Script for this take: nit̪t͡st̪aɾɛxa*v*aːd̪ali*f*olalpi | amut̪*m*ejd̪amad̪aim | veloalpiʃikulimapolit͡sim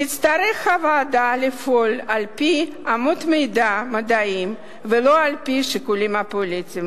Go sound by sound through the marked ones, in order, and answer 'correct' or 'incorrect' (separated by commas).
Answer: correct, correct, correct